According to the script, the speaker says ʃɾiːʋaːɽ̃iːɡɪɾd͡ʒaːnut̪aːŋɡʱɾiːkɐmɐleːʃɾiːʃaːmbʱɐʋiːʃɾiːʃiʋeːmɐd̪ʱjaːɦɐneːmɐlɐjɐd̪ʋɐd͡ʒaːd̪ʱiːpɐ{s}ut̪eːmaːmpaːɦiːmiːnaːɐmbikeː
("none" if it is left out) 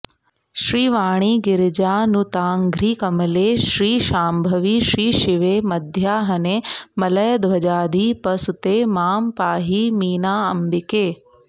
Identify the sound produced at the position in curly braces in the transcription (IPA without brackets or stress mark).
s